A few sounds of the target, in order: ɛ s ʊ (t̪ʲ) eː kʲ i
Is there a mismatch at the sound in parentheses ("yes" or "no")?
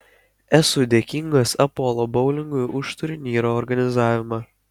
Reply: yes